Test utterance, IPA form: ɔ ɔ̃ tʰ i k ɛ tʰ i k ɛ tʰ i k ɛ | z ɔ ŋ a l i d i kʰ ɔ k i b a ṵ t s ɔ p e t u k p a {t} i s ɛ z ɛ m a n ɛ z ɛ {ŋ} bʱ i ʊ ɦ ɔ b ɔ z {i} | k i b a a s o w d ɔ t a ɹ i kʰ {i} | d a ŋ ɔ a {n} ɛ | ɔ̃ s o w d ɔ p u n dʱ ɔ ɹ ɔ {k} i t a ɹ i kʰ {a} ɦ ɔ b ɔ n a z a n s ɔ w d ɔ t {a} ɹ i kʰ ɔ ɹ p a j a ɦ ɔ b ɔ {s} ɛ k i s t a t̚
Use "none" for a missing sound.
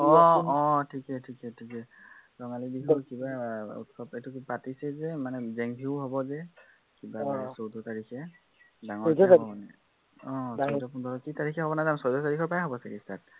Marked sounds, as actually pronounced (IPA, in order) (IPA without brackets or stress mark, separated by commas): t, ŋ, ɛ, ɛ, n, k, ɛ, a, s